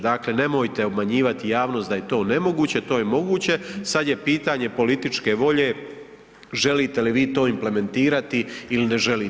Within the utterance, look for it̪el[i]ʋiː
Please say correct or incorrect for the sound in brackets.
correct